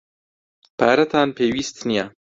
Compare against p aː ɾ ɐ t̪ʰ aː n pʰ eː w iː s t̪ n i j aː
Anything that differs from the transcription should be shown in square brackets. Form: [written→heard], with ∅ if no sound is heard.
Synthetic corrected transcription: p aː ɾ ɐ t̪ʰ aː n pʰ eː w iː s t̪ n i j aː